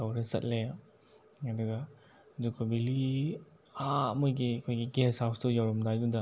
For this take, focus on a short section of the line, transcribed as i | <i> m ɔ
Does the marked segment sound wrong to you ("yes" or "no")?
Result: yes